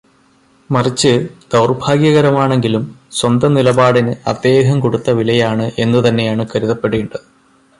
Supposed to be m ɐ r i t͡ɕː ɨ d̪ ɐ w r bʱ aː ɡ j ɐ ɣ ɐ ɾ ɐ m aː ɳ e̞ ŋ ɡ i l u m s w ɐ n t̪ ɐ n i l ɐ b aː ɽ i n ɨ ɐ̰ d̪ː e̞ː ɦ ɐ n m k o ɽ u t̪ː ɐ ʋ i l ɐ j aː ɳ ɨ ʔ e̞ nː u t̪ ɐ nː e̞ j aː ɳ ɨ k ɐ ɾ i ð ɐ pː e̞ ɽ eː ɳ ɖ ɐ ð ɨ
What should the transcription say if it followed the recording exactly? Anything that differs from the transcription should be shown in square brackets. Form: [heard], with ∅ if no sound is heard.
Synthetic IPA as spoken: m ɐ r i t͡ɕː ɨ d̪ ɐ w r bʱ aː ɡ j ɐ ɣ ɐ ɾ ɐ m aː ɳ e̞ ŋ ɡ i l u m s w ɐ n [d̪] ɐ n i l ɐ b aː ɽ i n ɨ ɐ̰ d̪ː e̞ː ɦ ɐ [∅] m k o ɽ u t̪ː ɐ ʋ i l ɐ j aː ɳ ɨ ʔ e̞ nː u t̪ ɐ nː e̞ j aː ɳ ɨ k ɐ ɾ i ð ɐ pː e̞ ɽ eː ɳ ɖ ɐ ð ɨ